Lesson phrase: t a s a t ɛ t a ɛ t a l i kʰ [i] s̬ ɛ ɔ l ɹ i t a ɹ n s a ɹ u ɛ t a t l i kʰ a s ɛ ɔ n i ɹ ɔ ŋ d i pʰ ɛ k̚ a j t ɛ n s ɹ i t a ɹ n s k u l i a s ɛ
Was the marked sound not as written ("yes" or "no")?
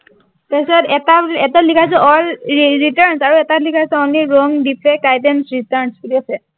yes